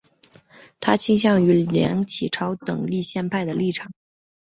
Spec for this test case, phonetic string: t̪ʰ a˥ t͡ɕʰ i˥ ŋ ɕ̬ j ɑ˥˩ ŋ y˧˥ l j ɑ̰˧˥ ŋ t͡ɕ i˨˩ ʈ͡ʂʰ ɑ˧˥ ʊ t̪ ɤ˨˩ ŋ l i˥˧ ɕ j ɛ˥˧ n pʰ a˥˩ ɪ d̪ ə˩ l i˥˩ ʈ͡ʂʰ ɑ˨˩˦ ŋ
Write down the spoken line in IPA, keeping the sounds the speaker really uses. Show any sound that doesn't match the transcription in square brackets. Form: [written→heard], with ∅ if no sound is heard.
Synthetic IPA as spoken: t̪ʰ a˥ t͡ɕʰ i˥ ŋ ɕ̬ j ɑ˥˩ ŋ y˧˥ l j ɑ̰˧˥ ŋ [t͡ɕ→t͡ɕʰ] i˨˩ ʈ͡ʂʰ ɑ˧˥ ʊ t̪ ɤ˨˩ ŋ l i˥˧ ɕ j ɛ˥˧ n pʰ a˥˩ ɪ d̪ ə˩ l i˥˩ ʈ͡ʂʰ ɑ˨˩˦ ŋ